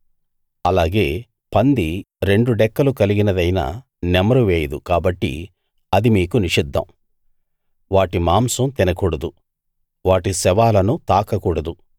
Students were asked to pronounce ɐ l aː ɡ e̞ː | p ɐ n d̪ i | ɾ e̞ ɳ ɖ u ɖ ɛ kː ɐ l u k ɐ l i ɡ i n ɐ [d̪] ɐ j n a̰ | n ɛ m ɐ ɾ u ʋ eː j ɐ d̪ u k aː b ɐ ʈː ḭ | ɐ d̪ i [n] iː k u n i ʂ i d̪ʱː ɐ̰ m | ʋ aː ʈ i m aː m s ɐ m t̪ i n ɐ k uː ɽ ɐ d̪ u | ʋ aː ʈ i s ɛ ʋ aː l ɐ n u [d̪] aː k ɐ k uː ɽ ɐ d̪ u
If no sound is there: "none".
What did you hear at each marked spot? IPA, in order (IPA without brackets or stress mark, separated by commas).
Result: d̪, m, t̪